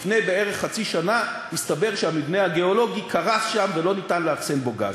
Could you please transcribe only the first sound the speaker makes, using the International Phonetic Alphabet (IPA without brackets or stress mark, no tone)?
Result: f